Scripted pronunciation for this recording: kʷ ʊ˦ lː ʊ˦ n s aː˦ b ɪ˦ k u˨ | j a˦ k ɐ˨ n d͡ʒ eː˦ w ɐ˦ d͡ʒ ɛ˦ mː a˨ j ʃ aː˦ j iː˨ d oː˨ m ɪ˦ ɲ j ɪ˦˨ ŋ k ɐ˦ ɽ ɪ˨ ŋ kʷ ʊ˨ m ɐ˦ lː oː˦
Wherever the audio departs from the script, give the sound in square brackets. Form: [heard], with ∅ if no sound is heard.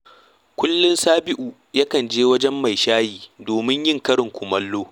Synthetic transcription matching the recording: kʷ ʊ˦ lː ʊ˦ n s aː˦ b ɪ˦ [ʔ] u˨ | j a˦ k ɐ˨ n d͡ʒ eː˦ w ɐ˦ d͡ʒ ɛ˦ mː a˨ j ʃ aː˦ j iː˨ d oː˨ m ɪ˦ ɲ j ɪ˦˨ ŋ k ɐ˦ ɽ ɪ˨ ŋ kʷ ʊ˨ m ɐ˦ lː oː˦